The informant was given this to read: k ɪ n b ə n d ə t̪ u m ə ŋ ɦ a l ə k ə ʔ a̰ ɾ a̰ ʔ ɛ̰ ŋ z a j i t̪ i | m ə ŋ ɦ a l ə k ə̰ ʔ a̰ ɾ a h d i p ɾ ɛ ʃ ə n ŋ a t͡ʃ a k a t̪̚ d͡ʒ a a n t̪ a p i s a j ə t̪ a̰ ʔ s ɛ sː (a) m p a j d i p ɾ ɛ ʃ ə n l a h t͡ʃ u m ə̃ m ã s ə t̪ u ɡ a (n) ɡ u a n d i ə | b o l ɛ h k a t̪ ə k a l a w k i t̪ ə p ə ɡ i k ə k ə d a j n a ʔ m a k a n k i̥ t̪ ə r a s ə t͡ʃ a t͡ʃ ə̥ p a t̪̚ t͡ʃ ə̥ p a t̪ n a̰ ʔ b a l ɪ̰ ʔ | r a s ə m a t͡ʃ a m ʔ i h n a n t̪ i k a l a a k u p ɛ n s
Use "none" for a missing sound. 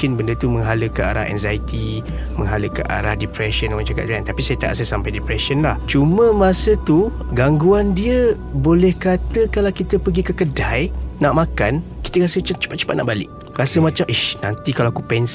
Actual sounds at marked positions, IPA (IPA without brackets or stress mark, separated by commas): a, ŋ